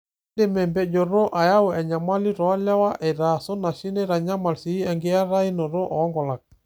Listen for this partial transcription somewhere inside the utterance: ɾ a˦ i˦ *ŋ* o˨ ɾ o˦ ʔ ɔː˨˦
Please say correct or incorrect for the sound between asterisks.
incorrect